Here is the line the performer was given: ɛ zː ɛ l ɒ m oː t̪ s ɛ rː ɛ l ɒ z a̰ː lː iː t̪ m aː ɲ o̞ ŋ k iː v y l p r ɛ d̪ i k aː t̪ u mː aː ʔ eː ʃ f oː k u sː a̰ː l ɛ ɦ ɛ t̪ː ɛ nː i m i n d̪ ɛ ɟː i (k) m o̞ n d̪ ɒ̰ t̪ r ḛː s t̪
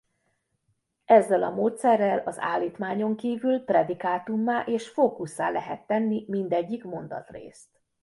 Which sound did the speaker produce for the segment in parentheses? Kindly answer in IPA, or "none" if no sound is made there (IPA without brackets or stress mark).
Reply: k